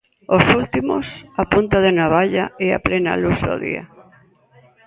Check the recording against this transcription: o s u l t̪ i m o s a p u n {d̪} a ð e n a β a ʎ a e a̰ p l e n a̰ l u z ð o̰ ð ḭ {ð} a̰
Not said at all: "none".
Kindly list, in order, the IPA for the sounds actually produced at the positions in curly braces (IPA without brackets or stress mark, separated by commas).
t̪, none